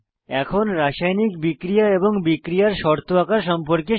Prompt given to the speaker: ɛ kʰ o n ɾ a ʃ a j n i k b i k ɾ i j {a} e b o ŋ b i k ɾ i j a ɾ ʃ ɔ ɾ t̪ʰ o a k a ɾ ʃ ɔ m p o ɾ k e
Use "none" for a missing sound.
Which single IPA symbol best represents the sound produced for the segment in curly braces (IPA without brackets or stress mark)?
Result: a